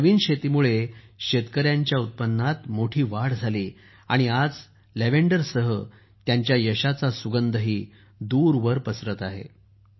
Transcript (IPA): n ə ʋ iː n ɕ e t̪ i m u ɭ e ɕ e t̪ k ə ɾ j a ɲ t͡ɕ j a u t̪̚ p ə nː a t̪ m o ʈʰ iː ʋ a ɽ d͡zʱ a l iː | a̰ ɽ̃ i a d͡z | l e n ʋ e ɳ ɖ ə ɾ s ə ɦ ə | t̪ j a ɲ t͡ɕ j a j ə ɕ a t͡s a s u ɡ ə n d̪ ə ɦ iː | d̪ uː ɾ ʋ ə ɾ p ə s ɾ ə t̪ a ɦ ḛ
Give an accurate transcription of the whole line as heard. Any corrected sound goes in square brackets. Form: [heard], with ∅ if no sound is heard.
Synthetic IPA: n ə ʋ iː n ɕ e t̪ i m u ɭ e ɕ e t̪ k ə ɾ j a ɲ t͡ɕ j a u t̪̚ p ə nː a t̪ m o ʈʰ iː ʋ a ɽ d͡zʱ a l iː | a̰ ɽ̃ i a d͡z | l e [∅] ʋ e ɳ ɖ ə ɾ s ə ɦ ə | t̪ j a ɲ t͡ɕ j a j ə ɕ a t͡s a s u ɡ ə n d̪ ə ɦ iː | d̪ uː ɾ ʋ ə ɾ p ə s ɾ ə t̪ a ɦ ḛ